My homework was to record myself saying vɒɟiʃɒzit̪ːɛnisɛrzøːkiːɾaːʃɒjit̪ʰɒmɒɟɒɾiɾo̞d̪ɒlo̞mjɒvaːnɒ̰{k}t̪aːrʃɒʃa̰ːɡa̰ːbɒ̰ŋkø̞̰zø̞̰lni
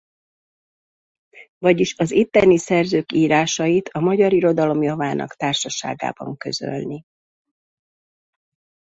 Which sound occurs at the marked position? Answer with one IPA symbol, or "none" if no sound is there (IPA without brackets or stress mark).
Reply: k